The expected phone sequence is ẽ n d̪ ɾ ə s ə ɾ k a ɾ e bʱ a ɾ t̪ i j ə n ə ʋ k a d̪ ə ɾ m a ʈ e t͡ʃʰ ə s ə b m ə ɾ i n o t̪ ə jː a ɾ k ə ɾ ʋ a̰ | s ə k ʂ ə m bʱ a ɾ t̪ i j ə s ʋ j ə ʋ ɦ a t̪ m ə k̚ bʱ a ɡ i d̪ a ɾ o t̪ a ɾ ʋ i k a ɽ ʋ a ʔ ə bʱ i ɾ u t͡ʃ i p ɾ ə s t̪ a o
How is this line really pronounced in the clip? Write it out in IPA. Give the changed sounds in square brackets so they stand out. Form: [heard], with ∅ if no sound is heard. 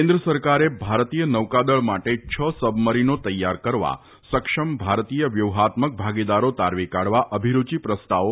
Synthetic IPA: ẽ n d̪ ɾ ə s ə ɾ k a ɾ e bʱ a ɾ t̪ i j ə n ə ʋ k a d̪ ə [ɭ] m a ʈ e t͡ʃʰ ə s ə b m ə ɾ i n o t̪ ə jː a ɾ k ə ɾ ʋ a̰ | s ə k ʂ ə m bʱ a ɾ t̪ i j ə [∅] ʋ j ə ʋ ɦ a t̪ m ə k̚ bʱ a ɡ i d̪ a ɾ o t̪ a ɾ ʋ i k a ɽ ʋ a ʔ ə bʱ i ɾ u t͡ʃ i p ɾ ə s t̪ a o